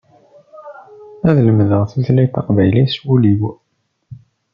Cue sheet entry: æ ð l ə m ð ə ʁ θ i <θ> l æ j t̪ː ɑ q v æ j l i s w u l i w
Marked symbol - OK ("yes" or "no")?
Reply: yes